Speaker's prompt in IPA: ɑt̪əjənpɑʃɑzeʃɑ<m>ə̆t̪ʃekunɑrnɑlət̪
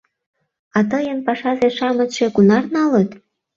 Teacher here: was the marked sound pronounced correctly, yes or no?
yes